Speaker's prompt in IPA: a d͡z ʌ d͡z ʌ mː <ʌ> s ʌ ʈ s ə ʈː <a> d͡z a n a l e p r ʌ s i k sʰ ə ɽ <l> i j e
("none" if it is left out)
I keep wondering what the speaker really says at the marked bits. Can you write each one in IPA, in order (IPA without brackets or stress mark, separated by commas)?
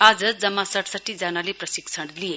a, i, l